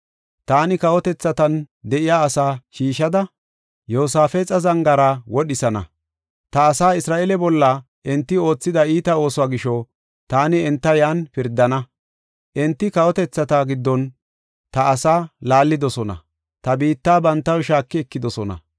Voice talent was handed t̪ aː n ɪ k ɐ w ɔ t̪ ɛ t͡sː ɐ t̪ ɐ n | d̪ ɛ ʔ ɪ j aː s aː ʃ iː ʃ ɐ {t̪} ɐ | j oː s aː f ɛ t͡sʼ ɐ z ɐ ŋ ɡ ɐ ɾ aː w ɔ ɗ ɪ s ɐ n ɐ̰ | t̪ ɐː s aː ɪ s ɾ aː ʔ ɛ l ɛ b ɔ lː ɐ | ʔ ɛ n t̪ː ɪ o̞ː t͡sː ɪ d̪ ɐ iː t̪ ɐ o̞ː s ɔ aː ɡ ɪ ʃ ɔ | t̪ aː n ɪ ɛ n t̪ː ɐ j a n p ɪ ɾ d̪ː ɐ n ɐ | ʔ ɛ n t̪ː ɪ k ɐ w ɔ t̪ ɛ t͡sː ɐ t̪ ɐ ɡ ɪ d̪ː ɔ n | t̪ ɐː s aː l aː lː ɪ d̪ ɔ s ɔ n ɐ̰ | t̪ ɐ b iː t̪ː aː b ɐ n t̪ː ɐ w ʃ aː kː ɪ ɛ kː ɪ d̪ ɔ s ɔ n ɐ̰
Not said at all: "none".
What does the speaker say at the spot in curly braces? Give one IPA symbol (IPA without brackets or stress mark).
d̪